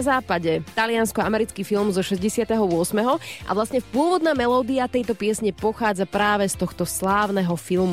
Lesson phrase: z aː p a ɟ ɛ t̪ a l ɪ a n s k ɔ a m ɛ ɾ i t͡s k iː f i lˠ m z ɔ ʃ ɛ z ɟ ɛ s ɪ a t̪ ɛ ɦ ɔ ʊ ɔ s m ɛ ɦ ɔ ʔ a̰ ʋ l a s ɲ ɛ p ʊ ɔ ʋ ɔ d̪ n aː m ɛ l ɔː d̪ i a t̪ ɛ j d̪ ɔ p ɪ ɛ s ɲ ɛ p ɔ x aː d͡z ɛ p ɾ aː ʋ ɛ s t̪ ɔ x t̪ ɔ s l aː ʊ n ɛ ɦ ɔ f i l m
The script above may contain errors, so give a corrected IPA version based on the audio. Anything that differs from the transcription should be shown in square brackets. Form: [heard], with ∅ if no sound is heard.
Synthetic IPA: z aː p a ɟ ɛ t̪ a l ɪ a n s k ɔ a m ɛ ɾ i t͡s k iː f i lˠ m z ɔ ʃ ɛ z ɟ ɛ s ɪ a t̪ ɛ ɦ ɔ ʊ ɔ s m ɛ ɦ ɔ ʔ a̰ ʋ l a s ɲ ɛ p ʊ ɔ ʋ ɔ d̪ n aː m ɛ l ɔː d̪ i a t̪ ɛ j [t̪] ɔ p ɪ ɛ s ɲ ɛ p ɔ x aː d͡z [a] p ɾ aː ʋ ɛ s t̪ ɔ x t̪ ɔ s l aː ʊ n ɛ ɦ ɔ f i l m